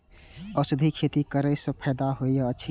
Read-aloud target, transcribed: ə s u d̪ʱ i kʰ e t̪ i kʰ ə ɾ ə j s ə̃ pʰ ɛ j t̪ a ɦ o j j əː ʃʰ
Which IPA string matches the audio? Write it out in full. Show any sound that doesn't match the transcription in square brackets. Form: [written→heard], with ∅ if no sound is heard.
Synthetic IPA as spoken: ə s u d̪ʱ i kʰ e t̪ i [kʰ→k] ə ɾ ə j s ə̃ pʰ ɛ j [t̪→d̪] a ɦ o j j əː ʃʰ